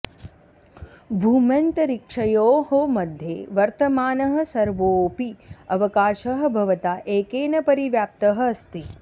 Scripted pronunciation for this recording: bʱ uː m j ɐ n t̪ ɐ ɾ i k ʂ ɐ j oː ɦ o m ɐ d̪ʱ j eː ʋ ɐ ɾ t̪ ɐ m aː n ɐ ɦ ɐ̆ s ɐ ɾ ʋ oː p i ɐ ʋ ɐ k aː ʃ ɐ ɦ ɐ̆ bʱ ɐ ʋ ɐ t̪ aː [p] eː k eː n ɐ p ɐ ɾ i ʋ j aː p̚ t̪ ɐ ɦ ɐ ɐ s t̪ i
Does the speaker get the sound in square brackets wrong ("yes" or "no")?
yes